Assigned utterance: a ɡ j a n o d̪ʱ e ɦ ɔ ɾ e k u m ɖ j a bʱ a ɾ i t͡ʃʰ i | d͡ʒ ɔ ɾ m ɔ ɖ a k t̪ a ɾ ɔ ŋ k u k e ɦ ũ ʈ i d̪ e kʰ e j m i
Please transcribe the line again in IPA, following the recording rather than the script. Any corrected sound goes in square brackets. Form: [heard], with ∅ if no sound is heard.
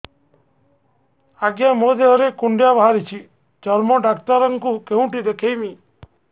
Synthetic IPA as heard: a ɡ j a [m] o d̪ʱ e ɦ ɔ ɾ e k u [ɳ] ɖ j a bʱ a ɾ i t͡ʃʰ i | d͡ʒ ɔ ɾ m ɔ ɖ a k t̪ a ɾ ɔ ŋ k u k e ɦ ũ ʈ i d̪ e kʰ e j m i

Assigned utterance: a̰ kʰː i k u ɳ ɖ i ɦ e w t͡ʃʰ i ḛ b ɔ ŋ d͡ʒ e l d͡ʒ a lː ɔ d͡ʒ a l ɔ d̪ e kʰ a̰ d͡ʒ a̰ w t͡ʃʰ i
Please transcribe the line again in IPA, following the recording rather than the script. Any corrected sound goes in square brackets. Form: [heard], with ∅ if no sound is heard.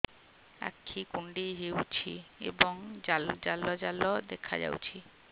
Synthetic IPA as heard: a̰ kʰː i k u ɳ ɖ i ɦ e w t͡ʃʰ i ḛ b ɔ ŋ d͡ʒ [a] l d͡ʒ a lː ɔ d͡ʒ a l ɔ d̪ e kʰ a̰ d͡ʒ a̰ w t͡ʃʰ i

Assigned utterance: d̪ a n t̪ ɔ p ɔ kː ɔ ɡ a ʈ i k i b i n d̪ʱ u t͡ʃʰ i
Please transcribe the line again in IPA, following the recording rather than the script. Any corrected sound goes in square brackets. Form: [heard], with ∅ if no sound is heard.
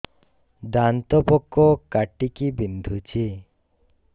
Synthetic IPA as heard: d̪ a n t̪ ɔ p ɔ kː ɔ [k] a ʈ i k i b i n d̪ʱ u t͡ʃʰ i

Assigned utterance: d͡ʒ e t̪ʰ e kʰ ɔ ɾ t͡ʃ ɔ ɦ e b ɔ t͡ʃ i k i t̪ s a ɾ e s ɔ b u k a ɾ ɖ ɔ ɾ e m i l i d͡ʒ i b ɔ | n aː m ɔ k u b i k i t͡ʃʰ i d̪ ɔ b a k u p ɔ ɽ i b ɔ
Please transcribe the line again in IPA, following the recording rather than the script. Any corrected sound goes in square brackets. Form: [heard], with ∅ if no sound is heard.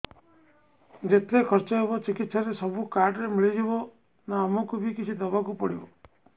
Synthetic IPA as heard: d͡ʒ e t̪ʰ e kʰ ɔ ɾ t͡ʃ ɔ ɦ e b ɔ t͡ʃ i k i t̪ s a ɾ e s ɔ b u k a ɾ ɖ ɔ ɾ e m i [ɭ] i d͡ʒ i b ɔ | n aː m ɔ k u b i k i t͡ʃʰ i d̪ ɔ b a k u p ɔ ɽ i b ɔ

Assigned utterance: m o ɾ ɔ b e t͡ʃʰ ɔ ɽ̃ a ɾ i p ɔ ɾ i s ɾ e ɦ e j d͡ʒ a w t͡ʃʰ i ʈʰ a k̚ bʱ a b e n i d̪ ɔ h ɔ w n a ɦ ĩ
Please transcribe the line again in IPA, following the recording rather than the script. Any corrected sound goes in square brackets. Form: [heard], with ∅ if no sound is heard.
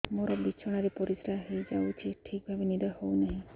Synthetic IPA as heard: m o ɾ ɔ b [i] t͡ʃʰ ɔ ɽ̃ a ɾ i p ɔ ɾ i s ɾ [a] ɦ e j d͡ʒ a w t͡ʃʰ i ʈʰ [i] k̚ bʱ a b e n i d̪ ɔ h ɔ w n a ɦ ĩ

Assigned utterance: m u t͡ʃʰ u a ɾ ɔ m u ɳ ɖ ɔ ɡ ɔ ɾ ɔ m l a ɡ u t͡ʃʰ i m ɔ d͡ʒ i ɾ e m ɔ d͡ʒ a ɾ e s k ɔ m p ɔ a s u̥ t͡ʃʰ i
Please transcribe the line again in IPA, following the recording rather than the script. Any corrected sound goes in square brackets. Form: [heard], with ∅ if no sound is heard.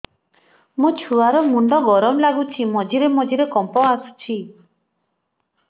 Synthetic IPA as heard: m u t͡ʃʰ u a ɾ ɔ m u ɳ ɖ ɔ ɡ ɔ ɾ ɔ m l a ɡ u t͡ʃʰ i m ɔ d͡ʒ i ɾ e m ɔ d͡ʒ [i] ɾ e [∅] k ɔ m p ɔ a s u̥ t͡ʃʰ i

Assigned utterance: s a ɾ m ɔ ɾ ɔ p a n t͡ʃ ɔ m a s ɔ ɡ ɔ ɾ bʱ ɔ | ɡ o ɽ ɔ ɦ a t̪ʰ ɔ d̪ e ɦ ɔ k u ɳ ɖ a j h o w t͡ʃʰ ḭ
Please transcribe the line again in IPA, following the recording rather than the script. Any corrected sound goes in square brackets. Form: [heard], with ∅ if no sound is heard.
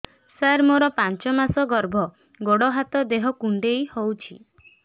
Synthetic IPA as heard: s a ɾ m [o] ɾ ɔ p a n t͡ʃ ɔ m a s ɔ ɡ ɔ ɾ bʱ ɔ | ɡ o ɽ ɔ ɦ a [t̪] ɔ d̪ e ɦ ɔ k u ɳ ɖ [e] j h o w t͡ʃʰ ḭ

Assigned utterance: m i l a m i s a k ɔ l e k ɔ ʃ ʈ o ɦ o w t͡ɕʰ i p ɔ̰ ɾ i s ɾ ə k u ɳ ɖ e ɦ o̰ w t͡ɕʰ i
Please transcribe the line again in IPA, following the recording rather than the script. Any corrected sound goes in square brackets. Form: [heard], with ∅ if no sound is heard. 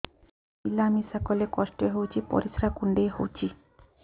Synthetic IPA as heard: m i l a m i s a k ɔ l e k ɔ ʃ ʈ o ɦ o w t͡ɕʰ i p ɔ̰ ɾ i s ɾ [a] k u ɳ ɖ e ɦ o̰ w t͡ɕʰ i

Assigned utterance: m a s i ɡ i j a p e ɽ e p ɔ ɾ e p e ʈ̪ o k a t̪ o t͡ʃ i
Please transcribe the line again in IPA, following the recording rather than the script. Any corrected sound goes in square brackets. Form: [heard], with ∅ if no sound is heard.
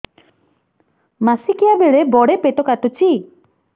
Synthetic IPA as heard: m a s i [k] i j a [b] e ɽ e [b] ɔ [ɽ] e p e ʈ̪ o k a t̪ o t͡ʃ i

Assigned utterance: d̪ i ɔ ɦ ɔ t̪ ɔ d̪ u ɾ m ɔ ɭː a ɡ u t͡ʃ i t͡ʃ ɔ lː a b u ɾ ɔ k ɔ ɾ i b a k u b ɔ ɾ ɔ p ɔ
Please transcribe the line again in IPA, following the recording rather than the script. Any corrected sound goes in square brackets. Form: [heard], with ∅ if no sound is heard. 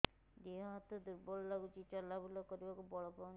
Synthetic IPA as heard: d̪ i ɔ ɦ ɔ t̪ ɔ d̪ u ɾ [b] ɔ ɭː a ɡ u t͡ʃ i t͡ʃ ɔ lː a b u [l] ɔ k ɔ ɾ i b a k u b ɔ [ɭ] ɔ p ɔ

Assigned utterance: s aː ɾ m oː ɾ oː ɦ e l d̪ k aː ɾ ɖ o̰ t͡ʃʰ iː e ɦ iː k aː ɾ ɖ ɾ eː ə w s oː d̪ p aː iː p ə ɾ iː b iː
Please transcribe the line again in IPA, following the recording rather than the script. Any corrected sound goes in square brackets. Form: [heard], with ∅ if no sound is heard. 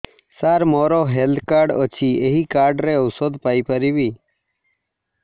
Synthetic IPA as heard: s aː ɾ m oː ɾ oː ɦ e l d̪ k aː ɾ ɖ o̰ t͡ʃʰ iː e ɦ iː k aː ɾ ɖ ɾ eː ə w s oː d̪ p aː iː p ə ɾ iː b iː

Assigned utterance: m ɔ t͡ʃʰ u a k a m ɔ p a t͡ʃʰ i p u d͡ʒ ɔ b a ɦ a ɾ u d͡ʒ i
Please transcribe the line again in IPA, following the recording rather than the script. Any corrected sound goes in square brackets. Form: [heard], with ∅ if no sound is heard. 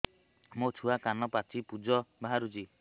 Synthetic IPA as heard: m [o] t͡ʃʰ u a k a [n] ɔ p a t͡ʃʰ i p u d͡ʒ ɔ b a ɦ a ɾ u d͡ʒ i

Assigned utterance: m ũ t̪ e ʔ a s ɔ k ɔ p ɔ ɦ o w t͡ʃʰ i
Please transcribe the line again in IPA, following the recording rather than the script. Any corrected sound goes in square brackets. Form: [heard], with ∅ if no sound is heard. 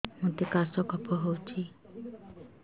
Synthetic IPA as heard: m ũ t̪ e [k] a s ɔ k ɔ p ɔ ɦ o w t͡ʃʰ i

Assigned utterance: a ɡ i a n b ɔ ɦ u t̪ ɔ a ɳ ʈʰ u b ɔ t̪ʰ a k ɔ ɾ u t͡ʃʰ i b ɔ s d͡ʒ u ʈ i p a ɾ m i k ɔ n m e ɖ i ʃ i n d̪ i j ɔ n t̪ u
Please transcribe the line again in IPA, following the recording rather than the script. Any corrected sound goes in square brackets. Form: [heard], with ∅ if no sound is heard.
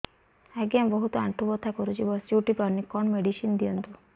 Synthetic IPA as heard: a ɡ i a [m] b ɔ ɦ u t̪ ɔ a ɳ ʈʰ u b ɔ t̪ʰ a k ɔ ɾ u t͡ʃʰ i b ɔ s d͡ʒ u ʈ i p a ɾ [n] i k ɔ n m e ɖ i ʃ i n d̪ i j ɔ n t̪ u

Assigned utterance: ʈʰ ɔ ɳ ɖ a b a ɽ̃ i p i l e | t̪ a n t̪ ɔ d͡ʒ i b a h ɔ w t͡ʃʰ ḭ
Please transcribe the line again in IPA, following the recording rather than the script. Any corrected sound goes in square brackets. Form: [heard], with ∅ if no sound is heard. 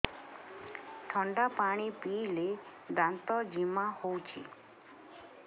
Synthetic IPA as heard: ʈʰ ɔ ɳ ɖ a [p] a ɽ̃ i p i l e | [d̪] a n t̪ ɔ d͡ʒ i [m] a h [o] w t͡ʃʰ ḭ

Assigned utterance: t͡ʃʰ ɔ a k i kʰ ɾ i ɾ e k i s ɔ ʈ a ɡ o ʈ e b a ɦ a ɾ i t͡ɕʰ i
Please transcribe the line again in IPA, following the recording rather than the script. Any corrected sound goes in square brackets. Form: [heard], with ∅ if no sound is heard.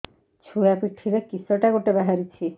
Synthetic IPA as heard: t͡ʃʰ [u] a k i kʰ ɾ i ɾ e k i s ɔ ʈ a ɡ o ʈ e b a ɦ a ɾ i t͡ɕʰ i

